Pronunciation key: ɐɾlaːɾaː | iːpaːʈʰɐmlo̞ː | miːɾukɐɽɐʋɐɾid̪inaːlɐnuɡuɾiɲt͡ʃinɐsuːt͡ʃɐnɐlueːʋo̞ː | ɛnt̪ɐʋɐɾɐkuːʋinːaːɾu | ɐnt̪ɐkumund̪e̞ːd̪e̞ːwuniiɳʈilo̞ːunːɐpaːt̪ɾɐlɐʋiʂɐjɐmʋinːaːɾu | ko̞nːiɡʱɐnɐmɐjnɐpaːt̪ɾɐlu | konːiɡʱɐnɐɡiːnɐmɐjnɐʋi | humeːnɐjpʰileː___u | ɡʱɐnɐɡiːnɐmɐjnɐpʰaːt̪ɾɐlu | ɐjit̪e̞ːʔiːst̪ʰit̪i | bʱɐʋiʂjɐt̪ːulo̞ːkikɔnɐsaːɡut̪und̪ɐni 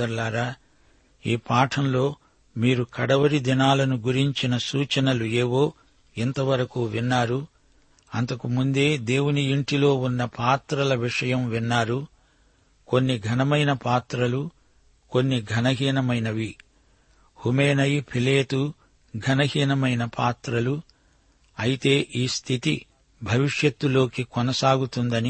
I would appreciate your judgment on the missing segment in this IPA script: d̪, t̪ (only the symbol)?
t̪